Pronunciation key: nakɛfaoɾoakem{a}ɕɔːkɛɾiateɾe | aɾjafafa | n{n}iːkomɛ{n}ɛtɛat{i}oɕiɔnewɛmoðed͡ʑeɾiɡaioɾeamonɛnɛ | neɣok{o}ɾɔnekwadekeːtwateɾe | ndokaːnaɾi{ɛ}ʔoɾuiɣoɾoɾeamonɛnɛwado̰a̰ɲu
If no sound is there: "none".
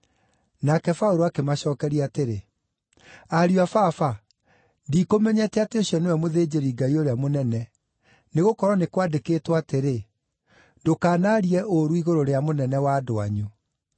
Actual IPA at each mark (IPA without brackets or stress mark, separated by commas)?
a, d, ɲ, e, ɔ, ɛ